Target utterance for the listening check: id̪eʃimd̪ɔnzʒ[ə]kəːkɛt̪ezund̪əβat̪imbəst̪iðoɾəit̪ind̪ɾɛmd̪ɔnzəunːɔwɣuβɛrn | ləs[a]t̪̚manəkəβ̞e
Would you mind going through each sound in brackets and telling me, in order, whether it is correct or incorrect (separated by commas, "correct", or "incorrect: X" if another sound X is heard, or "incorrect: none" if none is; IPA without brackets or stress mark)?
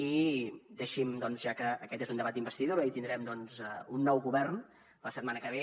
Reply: incorrect: a, incorrect: ə